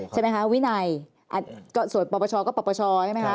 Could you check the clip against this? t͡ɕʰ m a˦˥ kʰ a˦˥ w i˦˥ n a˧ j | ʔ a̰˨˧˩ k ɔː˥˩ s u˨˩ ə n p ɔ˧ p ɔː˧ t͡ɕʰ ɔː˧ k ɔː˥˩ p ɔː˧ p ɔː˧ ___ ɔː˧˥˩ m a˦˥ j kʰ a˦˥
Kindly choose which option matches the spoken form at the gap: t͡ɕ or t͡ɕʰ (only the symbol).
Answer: t͡ɕʰ